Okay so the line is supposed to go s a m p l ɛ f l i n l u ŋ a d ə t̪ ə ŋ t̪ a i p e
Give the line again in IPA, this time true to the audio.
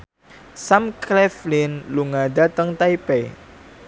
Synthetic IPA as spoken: s a m k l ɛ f l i n l u ŋ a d a t̪ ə ŋ t̪ a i p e

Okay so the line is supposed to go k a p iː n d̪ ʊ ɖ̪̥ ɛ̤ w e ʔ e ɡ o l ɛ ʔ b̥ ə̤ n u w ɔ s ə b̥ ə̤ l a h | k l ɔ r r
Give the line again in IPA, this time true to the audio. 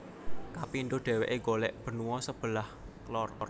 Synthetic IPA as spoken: k a p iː n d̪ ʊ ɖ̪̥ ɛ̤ w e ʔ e ɡ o l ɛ ʔ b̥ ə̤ n u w ɔ s ə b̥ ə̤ l a h | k l ɔ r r

